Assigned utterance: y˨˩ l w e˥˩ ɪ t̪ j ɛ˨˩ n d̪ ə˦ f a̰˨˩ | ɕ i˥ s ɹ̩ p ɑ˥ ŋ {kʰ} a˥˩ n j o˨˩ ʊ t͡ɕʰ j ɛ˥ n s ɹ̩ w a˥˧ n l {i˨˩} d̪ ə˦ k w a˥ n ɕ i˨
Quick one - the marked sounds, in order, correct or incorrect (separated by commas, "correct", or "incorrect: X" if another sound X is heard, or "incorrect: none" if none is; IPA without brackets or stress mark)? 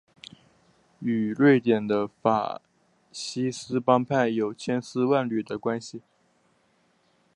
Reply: incorrect: pʰ, incorrect: y˨˩